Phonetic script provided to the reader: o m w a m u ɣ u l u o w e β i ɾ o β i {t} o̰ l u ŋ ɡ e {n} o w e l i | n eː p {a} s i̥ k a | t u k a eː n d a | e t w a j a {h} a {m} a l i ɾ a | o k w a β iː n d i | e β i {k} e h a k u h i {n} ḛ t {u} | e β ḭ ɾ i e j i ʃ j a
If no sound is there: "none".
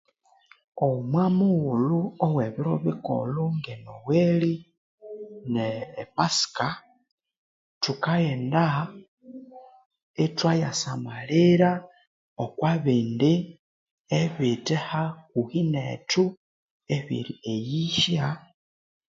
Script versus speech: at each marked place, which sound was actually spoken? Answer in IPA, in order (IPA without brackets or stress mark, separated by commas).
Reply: k, n, a, s, m, t, n, u